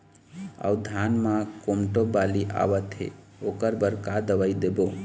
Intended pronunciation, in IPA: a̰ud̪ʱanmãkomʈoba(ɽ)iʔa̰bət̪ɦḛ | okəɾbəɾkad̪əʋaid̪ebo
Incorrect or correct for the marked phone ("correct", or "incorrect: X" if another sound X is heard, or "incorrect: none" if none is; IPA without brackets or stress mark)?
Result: incorrect: l